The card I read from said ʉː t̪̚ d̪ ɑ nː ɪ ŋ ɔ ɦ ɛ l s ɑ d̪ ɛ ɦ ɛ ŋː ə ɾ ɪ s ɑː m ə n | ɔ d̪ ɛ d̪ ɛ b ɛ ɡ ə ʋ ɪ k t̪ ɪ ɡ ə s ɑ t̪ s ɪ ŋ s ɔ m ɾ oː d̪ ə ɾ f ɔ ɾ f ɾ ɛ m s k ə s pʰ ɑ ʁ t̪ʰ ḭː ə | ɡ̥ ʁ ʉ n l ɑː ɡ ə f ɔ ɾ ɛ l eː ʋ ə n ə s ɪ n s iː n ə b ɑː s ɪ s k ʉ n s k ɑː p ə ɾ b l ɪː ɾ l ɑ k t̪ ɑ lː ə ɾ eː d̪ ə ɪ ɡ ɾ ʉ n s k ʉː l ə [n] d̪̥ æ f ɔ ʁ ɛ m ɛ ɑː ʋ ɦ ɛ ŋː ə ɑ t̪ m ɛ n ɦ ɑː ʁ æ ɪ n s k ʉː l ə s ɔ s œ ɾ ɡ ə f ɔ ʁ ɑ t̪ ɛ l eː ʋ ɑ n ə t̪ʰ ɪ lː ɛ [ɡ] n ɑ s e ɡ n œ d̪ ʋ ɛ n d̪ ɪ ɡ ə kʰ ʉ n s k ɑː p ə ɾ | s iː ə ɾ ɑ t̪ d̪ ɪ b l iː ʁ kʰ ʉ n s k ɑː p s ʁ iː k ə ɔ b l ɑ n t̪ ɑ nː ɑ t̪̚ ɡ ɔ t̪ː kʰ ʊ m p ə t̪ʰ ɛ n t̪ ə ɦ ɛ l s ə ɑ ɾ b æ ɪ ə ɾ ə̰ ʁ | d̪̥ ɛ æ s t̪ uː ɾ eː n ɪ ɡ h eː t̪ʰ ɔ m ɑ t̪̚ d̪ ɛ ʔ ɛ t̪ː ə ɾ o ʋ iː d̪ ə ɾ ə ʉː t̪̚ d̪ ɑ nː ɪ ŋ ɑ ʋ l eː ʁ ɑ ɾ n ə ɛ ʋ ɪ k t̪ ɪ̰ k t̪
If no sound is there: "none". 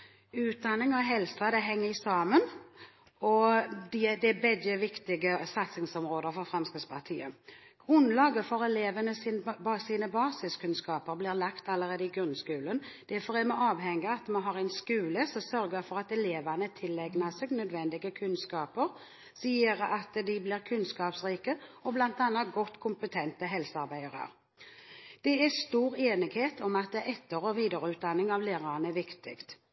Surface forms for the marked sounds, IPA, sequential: n, ɡ

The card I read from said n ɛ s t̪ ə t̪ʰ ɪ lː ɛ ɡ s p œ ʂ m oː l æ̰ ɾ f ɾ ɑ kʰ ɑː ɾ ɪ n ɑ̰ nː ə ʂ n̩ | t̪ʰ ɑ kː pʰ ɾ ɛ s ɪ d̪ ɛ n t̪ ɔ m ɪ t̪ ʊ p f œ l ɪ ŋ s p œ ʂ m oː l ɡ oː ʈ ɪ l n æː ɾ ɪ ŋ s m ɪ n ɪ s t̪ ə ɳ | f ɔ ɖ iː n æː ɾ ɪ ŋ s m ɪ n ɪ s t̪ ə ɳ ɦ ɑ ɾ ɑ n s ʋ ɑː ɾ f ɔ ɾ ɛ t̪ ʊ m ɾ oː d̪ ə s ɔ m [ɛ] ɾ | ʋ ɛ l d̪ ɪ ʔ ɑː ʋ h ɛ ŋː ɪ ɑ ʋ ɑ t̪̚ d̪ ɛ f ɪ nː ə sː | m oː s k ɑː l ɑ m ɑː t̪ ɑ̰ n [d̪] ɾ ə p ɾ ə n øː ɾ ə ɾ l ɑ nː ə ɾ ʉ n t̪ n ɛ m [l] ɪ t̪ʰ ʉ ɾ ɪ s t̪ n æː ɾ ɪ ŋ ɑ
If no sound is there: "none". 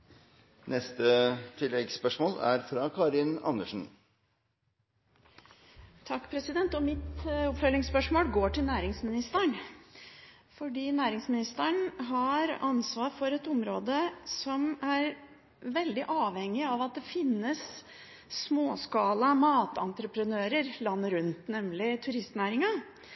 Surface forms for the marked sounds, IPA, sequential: æ, t̪, l

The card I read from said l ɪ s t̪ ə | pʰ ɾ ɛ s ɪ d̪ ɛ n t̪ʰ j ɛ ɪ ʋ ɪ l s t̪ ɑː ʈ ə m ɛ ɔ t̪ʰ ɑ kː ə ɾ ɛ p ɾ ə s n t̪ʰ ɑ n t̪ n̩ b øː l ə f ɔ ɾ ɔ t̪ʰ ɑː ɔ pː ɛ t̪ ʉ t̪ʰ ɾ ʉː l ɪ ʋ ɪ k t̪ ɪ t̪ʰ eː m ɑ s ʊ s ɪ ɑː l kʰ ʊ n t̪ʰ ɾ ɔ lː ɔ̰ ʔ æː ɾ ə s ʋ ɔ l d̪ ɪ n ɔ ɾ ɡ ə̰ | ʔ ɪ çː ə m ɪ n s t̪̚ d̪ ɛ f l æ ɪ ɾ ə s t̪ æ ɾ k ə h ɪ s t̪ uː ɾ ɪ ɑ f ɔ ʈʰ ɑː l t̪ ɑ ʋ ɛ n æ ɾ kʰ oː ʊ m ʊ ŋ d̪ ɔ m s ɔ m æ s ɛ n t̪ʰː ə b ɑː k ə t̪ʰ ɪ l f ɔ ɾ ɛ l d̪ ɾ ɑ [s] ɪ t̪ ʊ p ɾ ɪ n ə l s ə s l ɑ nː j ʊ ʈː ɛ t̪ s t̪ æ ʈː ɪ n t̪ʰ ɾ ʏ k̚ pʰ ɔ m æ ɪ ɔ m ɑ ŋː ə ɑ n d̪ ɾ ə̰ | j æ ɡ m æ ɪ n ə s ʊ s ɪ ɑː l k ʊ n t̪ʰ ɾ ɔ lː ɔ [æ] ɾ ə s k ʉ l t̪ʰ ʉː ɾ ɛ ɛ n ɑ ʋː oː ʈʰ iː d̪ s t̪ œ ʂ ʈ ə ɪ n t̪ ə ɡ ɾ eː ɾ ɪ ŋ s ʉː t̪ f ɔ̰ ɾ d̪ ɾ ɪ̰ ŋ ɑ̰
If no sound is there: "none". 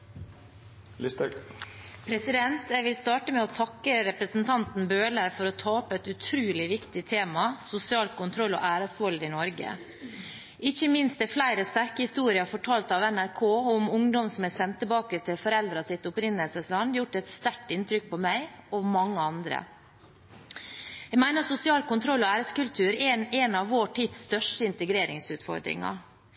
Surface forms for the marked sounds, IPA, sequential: s, æː

